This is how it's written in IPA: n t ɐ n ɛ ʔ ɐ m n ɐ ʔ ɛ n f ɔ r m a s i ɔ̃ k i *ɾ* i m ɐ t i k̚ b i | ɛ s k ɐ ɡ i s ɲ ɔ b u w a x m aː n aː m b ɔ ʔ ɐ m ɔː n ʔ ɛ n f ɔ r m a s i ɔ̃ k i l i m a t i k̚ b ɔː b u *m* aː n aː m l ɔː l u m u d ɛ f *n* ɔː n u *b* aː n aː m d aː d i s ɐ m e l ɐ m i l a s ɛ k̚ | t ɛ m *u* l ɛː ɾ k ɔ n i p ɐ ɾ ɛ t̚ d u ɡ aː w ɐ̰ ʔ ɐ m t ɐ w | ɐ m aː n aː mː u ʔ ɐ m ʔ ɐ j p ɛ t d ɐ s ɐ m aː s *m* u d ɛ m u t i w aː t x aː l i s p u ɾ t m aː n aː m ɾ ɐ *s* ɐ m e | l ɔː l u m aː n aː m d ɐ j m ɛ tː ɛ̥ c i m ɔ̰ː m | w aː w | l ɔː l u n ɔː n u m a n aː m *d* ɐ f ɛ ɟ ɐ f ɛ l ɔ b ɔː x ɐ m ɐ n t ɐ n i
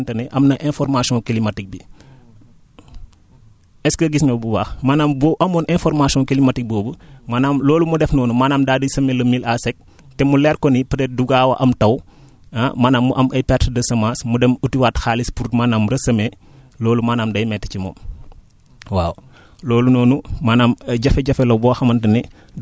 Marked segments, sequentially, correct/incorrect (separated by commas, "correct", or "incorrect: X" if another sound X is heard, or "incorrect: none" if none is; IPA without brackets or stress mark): incorrect: l, correct, correct, incorrect: m, correct, correct, correct, incorrect: ɟ